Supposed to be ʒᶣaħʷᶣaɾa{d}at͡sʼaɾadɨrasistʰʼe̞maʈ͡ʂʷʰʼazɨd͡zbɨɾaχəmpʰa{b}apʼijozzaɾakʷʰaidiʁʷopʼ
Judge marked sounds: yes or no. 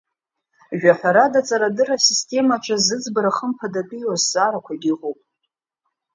yes, no

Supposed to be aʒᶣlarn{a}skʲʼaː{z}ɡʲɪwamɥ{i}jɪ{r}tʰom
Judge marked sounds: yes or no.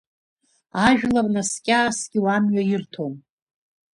yes, no, no, yes

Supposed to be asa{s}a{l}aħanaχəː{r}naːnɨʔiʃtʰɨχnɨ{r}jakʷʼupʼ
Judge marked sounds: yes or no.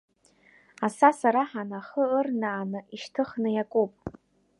yes, no, yes, no

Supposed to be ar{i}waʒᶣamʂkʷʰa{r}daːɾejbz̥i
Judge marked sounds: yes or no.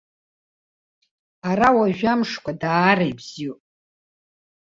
no, no

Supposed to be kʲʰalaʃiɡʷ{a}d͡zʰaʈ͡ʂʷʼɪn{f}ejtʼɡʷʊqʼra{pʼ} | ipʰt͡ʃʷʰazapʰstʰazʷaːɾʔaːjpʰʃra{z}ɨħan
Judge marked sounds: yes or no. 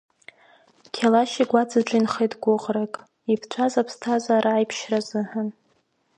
yes, no, no, yes

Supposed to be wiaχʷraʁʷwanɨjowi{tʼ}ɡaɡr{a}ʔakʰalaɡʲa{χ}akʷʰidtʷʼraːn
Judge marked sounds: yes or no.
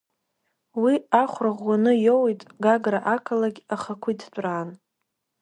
yes, yes, yes

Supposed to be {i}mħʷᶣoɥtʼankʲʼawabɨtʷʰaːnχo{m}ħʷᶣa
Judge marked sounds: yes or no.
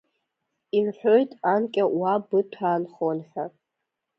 yes, no

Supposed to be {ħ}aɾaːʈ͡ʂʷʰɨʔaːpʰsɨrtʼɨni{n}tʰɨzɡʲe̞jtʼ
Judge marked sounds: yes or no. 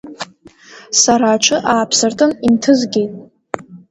no, yes

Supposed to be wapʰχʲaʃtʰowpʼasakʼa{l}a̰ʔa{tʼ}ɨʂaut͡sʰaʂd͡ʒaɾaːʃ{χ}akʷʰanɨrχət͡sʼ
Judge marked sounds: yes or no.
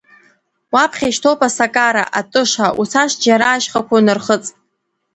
no, yes, yes

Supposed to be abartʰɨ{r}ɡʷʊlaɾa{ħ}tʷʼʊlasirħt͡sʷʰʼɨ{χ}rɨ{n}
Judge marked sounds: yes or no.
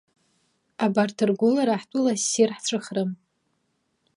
yes, yes, yes, no

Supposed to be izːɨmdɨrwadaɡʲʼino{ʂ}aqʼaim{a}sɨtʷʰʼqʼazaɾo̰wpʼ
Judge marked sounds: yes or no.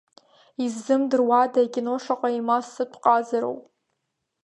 yes, yes

